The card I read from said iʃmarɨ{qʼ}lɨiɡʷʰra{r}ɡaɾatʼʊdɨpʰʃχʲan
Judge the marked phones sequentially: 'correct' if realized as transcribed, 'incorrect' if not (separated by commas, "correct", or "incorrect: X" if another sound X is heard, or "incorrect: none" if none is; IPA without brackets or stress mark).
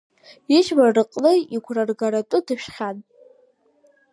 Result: correct, correct